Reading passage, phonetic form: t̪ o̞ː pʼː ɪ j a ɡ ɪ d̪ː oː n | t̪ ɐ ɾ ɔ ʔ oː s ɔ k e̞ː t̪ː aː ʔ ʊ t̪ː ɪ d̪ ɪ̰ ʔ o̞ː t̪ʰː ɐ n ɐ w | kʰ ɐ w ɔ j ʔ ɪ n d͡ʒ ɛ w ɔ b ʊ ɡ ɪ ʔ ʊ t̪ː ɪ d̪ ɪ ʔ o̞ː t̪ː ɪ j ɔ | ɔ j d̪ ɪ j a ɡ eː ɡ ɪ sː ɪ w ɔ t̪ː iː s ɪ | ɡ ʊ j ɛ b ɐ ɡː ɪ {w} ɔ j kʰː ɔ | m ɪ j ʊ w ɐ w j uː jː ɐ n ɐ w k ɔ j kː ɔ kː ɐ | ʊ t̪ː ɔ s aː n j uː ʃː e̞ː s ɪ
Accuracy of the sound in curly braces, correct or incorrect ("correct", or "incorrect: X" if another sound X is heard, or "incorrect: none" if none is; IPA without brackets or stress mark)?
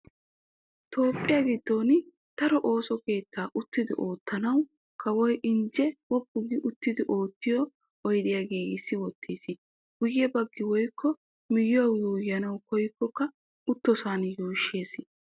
correct